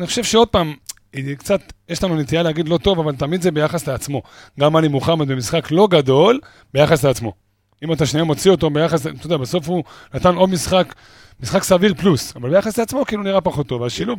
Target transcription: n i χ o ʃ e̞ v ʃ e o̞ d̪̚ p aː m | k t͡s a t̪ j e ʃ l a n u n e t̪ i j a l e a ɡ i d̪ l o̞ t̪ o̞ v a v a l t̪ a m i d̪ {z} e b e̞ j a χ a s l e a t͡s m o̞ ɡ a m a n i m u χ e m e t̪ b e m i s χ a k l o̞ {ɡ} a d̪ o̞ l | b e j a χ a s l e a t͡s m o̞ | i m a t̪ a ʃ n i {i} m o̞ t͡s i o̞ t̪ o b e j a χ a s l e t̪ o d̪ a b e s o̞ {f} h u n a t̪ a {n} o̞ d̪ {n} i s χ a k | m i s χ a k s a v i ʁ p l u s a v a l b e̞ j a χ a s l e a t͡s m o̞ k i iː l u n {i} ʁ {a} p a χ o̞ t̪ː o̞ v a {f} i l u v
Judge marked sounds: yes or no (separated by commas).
yes, yes, no, yes, yes, no, yes, yes, no